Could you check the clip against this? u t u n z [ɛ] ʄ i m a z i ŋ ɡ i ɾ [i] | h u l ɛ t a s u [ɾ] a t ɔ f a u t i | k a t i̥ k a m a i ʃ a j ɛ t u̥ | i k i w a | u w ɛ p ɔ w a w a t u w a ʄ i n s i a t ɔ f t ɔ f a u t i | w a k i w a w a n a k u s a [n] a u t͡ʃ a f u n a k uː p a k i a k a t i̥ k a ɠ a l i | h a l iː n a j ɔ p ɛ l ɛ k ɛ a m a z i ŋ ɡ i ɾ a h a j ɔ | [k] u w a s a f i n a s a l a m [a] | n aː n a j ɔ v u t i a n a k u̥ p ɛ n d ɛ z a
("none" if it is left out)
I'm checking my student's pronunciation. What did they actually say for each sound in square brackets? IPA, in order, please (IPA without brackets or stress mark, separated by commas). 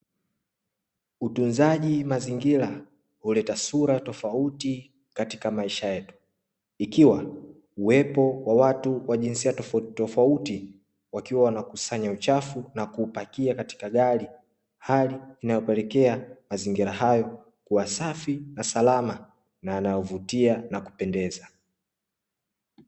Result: a, a, ɾ, ɲ, k, a